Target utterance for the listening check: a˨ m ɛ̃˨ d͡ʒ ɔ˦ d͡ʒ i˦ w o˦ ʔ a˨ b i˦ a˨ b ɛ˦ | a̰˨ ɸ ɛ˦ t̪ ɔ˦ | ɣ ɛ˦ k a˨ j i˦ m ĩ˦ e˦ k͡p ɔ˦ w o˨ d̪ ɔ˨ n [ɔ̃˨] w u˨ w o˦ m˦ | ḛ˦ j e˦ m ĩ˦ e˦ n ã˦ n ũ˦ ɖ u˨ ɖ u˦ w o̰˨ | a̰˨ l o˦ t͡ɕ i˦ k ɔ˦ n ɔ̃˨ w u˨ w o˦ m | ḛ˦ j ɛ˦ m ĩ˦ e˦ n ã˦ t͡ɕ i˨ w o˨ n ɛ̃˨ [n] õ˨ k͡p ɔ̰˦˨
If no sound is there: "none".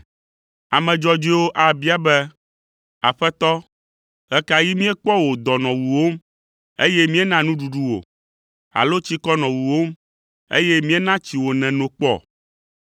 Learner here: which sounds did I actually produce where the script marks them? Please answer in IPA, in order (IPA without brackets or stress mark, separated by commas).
ɔ̃˨, n